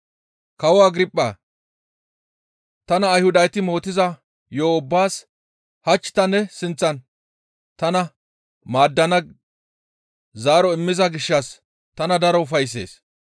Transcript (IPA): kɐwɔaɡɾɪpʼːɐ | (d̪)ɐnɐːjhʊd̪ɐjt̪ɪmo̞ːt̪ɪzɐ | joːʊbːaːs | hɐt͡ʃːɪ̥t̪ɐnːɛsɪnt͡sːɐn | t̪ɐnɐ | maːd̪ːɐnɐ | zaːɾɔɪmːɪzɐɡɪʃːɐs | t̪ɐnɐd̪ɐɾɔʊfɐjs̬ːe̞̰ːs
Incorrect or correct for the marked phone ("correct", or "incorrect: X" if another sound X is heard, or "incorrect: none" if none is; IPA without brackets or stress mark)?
incorrect: t̪